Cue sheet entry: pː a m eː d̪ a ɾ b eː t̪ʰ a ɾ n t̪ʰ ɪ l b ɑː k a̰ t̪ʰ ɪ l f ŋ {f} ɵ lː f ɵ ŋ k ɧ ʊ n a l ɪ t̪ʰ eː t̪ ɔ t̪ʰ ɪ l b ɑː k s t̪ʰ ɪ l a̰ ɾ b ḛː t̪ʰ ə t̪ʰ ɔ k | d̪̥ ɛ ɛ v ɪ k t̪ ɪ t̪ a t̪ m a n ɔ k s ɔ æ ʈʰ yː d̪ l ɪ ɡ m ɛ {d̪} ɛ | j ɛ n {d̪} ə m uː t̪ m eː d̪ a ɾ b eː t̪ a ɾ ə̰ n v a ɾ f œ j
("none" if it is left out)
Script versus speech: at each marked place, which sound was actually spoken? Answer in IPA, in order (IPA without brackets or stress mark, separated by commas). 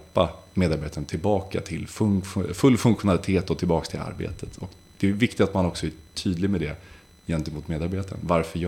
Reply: f, d̪, t̪